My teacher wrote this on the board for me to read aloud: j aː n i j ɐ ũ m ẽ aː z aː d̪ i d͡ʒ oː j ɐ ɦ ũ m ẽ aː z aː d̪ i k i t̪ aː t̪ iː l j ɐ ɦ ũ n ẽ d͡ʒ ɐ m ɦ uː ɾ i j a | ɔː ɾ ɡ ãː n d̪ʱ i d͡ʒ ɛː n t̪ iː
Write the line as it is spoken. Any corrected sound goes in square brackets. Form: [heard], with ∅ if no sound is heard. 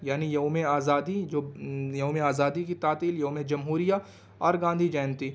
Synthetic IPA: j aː n i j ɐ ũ m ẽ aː z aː d̪ i d͡ʒ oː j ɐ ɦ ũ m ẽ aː z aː d̪ i k i t̪ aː t̪ iː l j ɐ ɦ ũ [m] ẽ d͡ʒ ɐ m ɦ uː ɾ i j a | ɔː ɾ ɡ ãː n d̪ʱ i d͡ʒ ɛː n t̪ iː